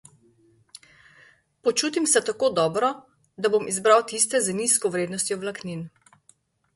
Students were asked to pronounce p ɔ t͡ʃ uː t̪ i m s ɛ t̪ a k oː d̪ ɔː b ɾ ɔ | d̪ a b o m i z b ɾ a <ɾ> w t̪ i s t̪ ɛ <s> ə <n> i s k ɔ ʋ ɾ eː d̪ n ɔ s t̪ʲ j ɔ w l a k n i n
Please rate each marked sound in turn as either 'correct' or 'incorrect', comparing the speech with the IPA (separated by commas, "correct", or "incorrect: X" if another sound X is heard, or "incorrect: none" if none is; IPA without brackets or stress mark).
incorrect: none, incorrect: z, correct